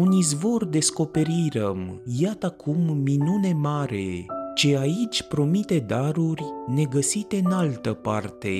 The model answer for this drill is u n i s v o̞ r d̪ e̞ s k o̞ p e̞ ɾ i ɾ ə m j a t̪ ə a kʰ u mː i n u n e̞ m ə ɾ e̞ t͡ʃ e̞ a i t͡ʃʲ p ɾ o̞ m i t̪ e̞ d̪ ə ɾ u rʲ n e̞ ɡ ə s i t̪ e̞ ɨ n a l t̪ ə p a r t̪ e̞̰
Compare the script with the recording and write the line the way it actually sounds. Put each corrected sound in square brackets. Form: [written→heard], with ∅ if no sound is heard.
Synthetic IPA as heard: u n i [s→z] v o̞ r d̪ e̞ s k o̞ p e̞ ɾ i ɾ ə m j a t̪ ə a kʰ u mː i n u n e̞ m [ə→a] ɾ e̞ t͡ʃ e̞ a i t͡ʃʲ p ɾ o̞ m i t̪ e̞ d̪ [ə→a] ɾ u rʲ n e̞ ɡ ə s i t̪ e̞ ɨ n a l t̪ ə p a r t̪ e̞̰